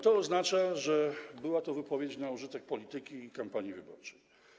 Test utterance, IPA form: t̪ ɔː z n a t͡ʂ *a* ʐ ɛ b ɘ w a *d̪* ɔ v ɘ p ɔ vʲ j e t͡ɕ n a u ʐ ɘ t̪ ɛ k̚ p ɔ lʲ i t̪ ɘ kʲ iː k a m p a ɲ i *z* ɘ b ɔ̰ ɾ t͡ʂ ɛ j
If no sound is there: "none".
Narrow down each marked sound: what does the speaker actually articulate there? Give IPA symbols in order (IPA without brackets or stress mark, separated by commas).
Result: a, t̪, v